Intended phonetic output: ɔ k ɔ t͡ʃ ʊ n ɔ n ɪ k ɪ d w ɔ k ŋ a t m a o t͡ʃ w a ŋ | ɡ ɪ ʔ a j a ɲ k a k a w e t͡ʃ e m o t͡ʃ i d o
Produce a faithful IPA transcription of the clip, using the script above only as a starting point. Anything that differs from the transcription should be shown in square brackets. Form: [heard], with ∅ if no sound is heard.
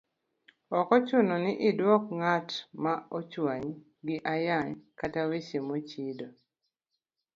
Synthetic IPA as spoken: ɔ k ɔ t͡ʃ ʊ n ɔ n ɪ [ʔ] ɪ d w ɔ k ŋ a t m a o t͡ʃ w a [ɲ] | ɡ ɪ ʔ a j a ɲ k a [t] a w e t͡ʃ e m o t͡ʃ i d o